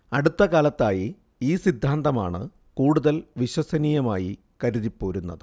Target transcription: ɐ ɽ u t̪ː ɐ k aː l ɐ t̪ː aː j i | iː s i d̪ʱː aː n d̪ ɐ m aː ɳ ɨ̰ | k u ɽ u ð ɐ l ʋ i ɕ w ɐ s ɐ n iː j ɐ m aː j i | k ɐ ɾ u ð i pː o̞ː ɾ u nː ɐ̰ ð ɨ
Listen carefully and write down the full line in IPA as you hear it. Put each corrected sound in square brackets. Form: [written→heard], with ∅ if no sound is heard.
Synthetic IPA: ɐ ɽ u t̪ː ɐ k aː l ɐ t̪ː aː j i | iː s i d̪ʱː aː n d̪ ɐ m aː ɳ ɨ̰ | k [u→uː] ɽ u ð ɐ l ʋ i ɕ w ɐ s ɐ n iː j ɐ m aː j i | k ɐ ɾ u ð i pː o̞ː ɾ u nː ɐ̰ ð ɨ